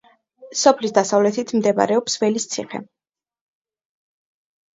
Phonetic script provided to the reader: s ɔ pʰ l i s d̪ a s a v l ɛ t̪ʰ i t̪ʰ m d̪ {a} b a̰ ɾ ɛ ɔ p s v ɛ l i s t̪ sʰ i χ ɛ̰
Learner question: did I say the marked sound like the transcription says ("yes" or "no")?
no